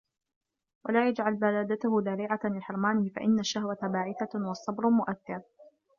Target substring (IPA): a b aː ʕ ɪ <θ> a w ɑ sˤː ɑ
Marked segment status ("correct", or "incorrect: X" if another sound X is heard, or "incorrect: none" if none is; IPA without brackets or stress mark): correct